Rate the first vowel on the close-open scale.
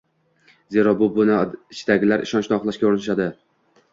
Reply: mid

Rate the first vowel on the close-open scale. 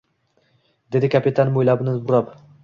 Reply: mid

